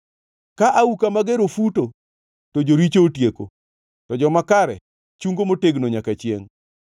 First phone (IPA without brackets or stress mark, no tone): k